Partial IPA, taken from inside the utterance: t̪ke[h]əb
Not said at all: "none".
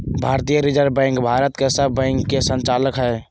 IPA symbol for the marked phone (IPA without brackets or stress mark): s